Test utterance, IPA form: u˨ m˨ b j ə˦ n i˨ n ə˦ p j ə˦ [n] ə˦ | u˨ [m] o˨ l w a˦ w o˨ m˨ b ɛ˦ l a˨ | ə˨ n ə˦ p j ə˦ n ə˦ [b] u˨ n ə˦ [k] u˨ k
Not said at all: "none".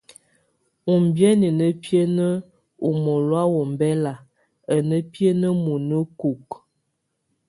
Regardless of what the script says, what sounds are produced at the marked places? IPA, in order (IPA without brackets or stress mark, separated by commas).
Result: n, m, m, k